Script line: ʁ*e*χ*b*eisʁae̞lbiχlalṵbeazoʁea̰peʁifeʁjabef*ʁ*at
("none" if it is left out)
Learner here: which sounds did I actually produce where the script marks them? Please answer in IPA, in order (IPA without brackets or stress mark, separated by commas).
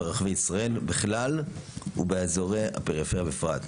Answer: a, v, ʁ